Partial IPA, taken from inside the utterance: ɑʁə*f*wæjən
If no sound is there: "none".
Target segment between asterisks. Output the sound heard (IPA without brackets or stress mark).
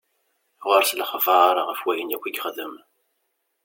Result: f